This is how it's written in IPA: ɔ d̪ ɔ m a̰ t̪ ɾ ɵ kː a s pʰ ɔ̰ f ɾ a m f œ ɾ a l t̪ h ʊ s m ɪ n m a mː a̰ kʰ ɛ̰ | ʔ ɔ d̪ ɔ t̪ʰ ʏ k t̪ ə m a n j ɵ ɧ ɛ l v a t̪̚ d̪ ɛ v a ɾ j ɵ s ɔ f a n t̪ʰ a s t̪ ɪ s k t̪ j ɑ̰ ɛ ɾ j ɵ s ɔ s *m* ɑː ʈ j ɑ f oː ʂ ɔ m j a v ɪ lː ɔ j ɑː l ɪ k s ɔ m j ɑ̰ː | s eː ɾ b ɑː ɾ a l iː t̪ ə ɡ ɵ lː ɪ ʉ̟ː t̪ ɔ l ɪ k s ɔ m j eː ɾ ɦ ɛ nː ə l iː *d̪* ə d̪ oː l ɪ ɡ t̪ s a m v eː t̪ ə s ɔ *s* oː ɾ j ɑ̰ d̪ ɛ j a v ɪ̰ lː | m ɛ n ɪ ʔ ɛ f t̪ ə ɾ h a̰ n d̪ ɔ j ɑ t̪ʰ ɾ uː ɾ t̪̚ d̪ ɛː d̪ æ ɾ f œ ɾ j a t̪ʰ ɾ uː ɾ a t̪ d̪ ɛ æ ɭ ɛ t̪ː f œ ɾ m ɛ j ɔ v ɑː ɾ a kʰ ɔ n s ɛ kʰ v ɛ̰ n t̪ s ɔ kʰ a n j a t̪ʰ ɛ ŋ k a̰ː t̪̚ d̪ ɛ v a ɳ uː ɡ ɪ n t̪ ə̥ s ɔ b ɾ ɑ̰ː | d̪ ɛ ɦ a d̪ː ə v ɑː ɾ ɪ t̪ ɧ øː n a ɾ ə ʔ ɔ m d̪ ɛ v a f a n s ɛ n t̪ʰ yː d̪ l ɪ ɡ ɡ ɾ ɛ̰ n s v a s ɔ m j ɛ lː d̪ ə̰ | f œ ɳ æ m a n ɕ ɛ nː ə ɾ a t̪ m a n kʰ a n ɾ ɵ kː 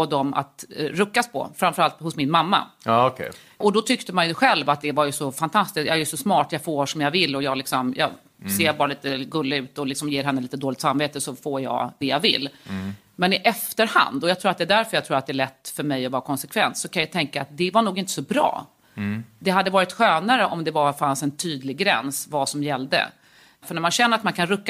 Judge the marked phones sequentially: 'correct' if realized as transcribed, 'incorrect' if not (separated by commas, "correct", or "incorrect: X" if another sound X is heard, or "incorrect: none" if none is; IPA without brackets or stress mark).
correct, incorrect: t̪, incorrect: f